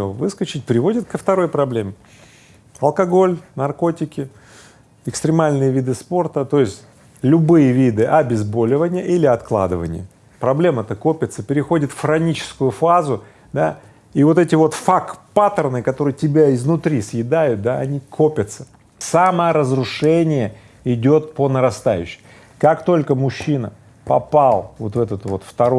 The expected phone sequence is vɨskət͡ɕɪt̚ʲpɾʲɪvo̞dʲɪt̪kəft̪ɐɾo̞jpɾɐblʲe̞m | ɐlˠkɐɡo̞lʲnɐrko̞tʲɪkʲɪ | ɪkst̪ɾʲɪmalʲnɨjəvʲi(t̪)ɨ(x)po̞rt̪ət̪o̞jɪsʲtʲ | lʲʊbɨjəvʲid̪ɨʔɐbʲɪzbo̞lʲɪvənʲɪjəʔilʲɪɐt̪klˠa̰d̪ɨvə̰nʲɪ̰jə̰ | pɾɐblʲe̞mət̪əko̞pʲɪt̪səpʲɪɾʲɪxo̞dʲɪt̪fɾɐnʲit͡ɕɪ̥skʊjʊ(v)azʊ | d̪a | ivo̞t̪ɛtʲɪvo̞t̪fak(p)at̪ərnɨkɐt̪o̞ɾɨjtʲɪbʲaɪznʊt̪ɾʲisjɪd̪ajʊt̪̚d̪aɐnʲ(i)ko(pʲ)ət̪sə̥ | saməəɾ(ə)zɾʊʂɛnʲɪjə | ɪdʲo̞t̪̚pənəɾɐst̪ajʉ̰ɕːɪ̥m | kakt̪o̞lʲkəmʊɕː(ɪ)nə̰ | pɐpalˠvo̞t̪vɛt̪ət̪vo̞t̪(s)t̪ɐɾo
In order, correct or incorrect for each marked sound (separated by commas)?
incorrect, incorrect, incorrect, correct, correct, correct, correct, incorrect, incorrect